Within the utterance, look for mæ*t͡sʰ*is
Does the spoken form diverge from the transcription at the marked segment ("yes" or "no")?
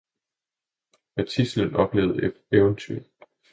no